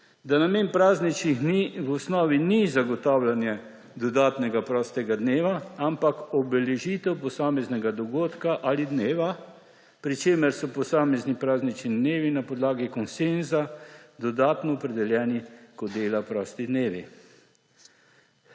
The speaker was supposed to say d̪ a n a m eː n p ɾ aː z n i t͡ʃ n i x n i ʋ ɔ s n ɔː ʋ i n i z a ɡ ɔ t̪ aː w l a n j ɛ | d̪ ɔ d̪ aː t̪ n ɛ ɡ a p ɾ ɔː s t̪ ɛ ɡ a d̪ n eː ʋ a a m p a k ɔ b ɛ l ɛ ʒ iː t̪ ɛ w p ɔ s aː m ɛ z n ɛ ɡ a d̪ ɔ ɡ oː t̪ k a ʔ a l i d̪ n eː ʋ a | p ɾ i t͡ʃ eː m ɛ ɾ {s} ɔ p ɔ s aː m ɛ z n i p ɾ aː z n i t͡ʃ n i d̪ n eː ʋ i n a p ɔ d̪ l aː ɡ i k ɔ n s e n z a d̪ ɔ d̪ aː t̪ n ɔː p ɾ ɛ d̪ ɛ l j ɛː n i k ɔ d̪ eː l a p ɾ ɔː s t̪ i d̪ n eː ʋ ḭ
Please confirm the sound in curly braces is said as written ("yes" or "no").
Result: yes